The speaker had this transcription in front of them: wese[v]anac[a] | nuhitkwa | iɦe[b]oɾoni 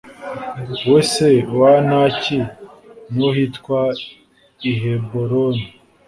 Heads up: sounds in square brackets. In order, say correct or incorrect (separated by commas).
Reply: incorrect, incorrect, correct